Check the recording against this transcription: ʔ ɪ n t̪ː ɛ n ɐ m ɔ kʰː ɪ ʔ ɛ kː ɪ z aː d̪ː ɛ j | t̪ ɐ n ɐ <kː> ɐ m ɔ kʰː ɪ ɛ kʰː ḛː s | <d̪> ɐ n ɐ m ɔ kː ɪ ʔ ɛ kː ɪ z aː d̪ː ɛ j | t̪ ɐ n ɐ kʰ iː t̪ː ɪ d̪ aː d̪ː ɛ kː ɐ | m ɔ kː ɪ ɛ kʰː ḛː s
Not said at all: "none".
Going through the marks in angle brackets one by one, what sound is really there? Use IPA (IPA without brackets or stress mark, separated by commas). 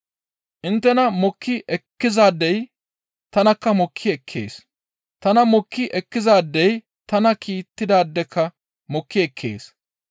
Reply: kː, t̪